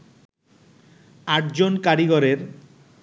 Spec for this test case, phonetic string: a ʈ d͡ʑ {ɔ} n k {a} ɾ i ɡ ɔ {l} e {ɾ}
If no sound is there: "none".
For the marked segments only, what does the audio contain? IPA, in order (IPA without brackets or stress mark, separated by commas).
o, a, ɾ, ɾ